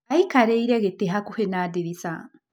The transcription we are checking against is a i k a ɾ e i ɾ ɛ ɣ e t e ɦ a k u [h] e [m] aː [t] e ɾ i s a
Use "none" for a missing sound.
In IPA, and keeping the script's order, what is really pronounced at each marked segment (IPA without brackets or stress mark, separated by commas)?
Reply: h, n, d